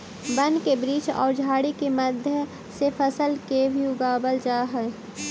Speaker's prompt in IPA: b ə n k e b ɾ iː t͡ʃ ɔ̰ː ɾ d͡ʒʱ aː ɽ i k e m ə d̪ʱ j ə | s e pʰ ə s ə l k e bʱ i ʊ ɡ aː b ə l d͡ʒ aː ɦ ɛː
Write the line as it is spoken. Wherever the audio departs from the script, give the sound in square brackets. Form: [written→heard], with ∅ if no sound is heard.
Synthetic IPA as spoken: b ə n k e b ɾ iː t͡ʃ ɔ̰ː ɾ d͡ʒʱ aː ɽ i k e m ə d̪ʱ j ə | s e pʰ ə s ə l k e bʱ i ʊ ɡ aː b ə l d͡ʒ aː ɦ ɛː